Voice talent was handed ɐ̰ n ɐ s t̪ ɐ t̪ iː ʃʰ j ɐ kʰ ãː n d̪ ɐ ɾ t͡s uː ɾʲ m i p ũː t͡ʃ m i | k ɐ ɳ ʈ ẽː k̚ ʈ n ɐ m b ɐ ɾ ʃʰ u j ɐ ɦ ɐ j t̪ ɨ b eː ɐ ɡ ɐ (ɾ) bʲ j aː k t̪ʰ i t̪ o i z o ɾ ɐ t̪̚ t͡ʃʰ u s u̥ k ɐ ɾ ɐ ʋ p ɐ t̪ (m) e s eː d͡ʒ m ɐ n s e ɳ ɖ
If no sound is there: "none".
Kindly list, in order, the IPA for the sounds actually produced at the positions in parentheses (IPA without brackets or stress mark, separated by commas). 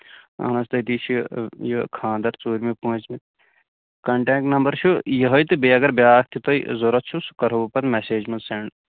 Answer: ɾ, m